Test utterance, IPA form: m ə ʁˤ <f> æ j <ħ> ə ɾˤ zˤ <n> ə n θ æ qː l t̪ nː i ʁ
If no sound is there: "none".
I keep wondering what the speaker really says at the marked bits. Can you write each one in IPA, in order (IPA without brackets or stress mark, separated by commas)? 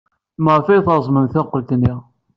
f, θ, m